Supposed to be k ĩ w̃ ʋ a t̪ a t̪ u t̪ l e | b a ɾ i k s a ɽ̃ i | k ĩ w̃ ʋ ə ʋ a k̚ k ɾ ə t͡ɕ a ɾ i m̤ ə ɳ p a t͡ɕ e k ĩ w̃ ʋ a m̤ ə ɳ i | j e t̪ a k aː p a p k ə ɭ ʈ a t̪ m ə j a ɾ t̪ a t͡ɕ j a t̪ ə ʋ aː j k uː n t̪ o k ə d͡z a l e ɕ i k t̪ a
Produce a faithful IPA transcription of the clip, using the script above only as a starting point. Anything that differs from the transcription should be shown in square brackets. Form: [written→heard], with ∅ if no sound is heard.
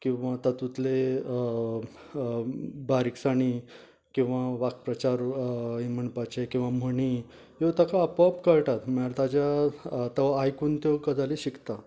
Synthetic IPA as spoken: k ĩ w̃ ʋ a t̪ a t̪ u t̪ l e | b a ɾ i k s a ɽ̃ i | k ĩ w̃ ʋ [ə→a] ʋ a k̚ [k→p] ɾ ə t͡ɕ a ɾ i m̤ ə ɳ p a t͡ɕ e k ĩ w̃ ʋ a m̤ ə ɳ i | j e t̪ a k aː p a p k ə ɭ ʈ a t̪ m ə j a ɾ t̪ a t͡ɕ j a t̪ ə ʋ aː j k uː n t̪ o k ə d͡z a l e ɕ i k t̪ a